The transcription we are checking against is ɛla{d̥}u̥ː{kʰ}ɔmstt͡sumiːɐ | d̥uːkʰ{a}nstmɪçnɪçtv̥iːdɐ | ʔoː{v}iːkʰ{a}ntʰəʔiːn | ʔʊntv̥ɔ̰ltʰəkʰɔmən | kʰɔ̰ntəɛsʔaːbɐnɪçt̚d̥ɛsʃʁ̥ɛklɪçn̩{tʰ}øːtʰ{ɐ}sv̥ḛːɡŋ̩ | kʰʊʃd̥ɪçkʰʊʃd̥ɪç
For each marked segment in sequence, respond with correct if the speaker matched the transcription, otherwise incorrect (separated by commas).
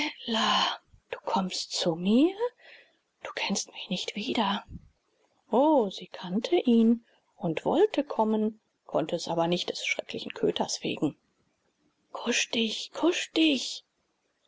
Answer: correct, correct, incorrect, incorrect, correct, incorrect, correct